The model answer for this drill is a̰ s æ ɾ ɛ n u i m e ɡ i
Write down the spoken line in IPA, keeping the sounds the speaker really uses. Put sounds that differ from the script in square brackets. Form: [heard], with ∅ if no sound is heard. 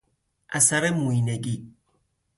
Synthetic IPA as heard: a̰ s [a] ɾ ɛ [m] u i [n] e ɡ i